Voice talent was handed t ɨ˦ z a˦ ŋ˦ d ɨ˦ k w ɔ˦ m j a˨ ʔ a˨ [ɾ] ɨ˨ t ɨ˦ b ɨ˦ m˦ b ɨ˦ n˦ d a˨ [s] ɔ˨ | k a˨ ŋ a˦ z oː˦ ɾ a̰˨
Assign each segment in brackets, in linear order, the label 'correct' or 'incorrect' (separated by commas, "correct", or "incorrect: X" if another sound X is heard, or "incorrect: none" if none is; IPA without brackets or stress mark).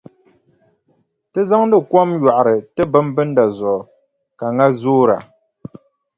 correct, incorrect: z